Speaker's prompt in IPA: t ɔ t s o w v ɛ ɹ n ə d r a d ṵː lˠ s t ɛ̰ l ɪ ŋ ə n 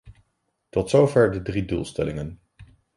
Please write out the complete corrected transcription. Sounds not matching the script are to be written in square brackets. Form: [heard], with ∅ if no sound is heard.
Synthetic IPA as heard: t ɔ t s o w v ɛ ɹ [d] ə d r [i] d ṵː lˠ s t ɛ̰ l ɪ ŋ ə n